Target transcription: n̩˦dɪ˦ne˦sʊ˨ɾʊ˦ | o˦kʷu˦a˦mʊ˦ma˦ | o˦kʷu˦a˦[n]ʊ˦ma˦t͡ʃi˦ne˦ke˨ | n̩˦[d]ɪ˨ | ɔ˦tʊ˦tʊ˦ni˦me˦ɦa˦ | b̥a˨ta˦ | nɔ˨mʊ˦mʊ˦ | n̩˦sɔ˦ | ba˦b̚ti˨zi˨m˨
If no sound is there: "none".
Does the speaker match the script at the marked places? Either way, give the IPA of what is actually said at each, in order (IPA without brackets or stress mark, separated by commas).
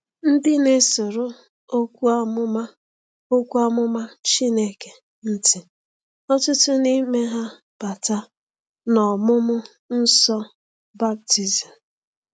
m, t